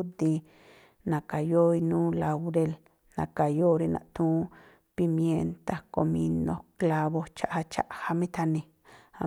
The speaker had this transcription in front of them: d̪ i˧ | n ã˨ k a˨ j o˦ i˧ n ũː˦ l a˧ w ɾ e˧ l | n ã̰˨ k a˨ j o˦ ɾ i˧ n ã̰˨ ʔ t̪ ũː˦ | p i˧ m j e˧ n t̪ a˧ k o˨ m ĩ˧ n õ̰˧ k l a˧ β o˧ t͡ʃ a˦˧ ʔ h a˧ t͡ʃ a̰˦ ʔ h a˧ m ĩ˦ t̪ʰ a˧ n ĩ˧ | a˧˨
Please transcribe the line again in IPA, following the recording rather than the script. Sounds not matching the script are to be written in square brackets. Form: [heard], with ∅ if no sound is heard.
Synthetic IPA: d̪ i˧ | n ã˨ k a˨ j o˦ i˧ n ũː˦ l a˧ w ɾ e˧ l | n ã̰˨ k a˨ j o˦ ɾ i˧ n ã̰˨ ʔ t̪ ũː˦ | p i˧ m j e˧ n t̪ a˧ k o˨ m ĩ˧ n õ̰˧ k l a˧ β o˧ t͡ʃ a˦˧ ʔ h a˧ t͡ʃ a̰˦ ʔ h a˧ m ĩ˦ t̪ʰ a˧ n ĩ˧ | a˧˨